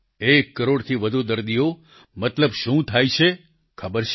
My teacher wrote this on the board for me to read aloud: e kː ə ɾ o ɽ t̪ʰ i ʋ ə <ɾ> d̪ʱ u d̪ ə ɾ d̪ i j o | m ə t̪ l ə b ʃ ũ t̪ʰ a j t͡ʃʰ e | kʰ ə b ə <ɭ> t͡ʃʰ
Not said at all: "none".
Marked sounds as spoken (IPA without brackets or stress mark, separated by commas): none, ɾ